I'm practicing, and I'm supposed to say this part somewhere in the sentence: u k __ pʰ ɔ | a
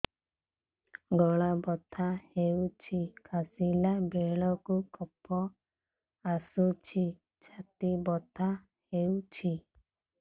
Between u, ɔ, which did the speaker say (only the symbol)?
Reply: ɔ